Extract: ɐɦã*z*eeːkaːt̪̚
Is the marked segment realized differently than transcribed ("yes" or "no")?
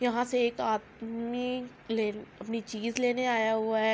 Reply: yes